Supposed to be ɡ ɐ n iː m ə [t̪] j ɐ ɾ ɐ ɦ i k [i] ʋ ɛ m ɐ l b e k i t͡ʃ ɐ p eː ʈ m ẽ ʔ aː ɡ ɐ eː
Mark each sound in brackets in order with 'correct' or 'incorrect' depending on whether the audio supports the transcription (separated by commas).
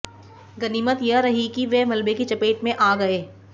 correct, correct